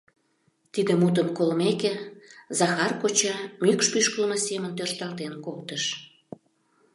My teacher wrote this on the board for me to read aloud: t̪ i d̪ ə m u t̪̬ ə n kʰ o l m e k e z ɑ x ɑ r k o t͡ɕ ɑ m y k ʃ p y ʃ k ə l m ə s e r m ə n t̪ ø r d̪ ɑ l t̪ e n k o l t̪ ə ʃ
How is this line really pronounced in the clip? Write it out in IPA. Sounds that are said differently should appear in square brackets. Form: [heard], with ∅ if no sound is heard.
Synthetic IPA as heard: t̪ i d̪ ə m u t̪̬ ə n [k] o l m e k e z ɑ x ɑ r k o t͡ɕ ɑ m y k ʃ p y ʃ k ə l m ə s e [∅] m ə n t̪ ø r [t̪] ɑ l t̪ e n k o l t̪ ə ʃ

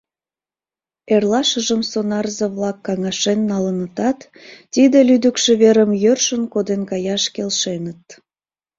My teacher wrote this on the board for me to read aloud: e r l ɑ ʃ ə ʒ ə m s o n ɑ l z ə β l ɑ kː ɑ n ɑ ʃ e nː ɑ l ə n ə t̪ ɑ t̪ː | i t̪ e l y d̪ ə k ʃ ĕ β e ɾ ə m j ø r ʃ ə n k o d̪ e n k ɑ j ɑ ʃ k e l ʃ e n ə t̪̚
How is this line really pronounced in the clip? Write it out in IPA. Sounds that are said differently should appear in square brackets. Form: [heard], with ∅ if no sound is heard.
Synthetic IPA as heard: e r l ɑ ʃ ə ʒ ə m s o n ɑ [r] z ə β l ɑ kː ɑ [ŋ] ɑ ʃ e nː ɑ l ə n ə t̪ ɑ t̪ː | i [d̪] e l y d̪ ə k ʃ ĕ β e ɾ ə m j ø r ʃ ə n k o d̪ e n k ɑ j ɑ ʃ k e l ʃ e n ə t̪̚

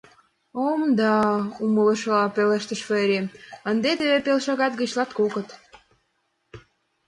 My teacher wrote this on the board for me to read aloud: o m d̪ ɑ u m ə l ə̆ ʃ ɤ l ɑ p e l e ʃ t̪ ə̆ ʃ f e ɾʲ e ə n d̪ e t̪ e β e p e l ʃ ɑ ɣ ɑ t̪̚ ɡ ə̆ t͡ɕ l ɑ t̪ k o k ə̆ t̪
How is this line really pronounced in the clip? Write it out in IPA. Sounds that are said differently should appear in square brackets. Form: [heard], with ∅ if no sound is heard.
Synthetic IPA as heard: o m d̪ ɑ u m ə l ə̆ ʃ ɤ l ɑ p e l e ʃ t̪ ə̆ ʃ f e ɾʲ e ə n d̪ e t̪ e β e p e l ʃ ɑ ɣ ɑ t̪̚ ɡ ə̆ t͡ɕ l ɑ t̪ k o k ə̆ t̪

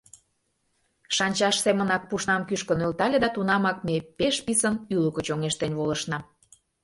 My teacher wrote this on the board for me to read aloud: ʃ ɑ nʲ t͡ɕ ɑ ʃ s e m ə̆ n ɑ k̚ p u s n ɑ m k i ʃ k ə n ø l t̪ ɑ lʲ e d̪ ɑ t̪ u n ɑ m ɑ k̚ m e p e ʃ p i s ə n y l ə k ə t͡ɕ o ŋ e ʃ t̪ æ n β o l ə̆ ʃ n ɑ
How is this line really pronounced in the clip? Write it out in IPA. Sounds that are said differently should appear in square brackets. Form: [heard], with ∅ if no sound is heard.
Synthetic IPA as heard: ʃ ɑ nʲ t͡ɕ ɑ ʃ s e m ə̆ n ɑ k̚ p u [ʃ] n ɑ m k [y] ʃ k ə n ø l t̪ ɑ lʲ e d̪ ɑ t̪ u n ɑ m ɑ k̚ m e p e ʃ p i s ə n y l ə k ə t͡ɕ o ŋ e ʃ t̪ [e] n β o l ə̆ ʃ n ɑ

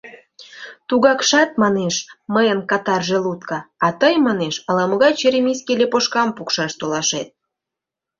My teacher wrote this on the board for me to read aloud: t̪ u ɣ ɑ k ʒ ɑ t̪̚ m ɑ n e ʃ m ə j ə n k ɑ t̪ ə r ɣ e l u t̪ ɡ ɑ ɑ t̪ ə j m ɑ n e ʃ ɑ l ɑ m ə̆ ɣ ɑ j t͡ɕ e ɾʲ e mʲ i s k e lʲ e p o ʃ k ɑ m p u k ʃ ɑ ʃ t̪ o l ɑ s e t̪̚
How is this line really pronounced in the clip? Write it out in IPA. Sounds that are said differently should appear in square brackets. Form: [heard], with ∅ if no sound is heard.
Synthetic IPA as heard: t̪ u ɣ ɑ k [ʃ] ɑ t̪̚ m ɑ n e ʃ m ə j ə n k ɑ t̪ [ɑ] r [ʒ] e l u t̪ [k] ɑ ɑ t̪ ə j m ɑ n e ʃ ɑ l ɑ m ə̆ ɣ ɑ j t͡ɕ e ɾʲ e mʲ i s k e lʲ e p o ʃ k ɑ m p u k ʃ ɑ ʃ t̪ o l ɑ [ʃ] e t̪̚

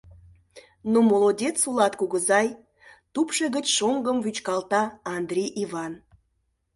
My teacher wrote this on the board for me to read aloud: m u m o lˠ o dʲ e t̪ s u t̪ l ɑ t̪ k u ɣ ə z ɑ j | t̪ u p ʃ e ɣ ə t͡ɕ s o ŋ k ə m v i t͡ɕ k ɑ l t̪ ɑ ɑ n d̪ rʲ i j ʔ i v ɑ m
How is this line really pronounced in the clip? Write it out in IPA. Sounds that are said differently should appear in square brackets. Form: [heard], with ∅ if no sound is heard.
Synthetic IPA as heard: [n] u m o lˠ o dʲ e t̪ s u [∅] l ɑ t̪ k u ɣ ə z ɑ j | t̪ u p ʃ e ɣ ə t͡ɕ [ʃ] o ŋ [ɡ] ə m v [y] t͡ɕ k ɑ l t̪ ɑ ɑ n d̪ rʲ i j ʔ i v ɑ [n]

